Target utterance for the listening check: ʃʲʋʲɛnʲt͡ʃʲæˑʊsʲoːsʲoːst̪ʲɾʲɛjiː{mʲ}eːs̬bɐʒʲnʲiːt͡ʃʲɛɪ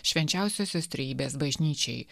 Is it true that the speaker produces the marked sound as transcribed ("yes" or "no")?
no